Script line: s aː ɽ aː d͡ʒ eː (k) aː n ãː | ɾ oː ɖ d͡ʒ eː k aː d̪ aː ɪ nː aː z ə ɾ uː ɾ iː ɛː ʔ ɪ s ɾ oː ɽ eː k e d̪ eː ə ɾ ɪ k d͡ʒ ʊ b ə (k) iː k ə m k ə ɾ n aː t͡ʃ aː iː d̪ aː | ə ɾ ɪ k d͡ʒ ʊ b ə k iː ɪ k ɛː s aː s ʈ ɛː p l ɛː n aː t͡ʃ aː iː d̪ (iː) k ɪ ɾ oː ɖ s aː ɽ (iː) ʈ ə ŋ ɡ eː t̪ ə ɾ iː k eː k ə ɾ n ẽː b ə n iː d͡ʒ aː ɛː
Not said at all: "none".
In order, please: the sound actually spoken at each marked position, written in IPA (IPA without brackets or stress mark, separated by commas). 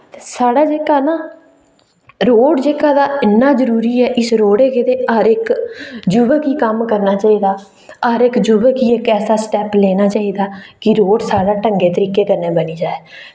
k, k, aː, aː